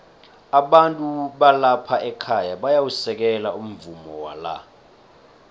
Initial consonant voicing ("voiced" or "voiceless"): voiced